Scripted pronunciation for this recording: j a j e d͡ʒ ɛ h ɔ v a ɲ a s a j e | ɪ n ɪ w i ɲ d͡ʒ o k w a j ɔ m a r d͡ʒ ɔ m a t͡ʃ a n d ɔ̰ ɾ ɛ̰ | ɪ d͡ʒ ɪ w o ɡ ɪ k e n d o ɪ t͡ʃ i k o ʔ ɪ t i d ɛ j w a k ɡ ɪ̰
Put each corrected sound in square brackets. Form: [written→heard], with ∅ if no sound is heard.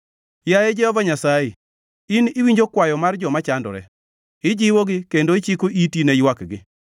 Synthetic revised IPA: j a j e d͡ʒ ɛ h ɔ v a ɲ a s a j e | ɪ n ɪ w i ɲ d͡ʒ o k w a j ɔ m a r d͡ʒ ɔ m a t͡ʃ a n d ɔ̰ ɾ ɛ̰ | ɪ d͡ʒ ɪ w o ɡ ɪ k e n d o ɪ t͡ʃ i k o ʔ [ɪ→i] t i [d→n] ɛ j w a k ɡ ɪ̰